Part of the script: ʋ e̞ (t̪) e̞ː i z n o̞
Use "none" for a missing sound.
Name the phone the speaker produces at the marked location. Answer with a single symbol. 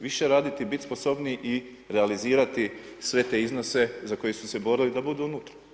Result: t̪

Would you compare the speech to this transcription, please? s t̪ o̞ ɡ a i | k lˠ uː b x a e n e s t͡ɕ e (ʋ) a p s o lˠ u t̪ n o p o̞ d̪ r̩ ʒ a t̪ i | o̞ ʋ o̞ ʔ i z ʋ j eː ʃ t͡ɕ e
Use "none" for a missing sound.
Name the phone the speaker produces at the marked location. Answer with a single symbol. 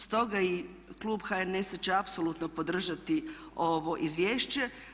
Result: none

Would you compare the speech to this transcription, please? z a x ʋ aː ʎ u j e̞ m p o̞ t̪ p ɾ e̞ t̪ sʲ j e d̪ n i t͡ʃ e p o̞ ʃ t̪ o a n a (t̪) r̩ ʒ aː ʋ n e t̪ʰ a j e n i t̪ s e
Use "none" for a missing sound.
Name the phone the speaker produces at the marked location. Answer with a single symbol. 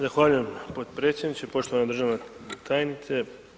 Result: d̪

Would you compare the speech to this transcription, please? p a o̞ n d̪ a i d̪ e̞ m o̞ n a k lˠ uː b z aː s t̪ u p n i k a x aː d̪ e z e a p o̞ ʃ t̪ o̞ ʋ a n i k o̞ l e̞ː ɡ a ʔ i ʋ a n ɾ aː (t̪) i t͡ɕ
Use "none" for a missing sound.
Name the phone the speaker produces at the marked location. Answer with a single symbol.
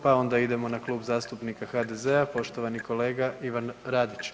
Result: d̪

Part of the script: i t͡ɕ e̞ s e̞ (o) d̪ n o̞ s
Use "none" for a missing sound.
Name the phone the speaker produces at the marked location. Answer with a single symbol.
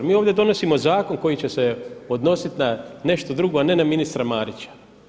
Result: o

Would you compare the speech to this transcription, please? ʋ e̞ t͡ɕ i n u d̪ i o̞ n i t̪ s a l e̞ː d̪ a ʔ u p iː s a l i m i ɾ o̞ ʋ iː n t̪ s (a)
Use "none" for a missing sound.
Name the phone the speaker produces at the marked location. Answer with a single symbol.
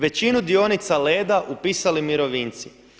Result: i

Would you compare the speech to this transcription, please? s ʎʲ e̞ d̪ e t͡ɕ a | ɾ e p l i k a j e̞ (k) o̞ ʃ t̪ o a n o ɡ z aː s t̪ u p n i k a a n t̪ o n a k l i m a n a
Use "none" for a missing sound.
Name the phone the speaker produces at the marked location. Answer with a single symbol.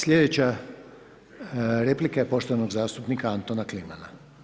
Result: p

